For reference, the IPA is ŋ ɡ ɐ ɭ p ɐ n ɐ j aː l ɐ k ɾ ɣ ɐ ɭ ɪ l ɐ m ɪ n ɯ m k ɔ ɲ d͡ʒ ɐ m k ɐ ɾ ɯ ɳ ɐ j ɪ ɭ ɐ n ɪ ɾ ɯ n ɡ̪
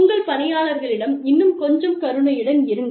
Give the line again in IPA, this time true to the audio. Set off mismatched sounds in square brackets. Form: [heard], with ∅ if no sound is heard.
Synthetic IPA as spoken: ŋ ɡ ɐ ɭ p ɐ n ɐ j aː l ɐ [∅] ɾ ɣ ɐ ɭ ɪ [ɽ] ɐ m ɪ [nː] ɯ m k ɔ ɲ d͡ʒ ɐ m k ɐ ɾ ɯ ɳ ɐ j ɪ [ɽ] ɐ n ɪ ɾ ɯ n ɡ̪